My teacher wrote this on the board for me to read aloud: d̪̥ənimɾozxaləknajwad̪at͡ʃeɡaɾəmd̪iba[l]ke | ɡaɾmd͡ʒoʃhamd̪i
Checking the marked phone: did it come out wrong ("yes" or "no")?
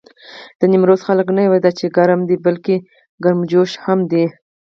no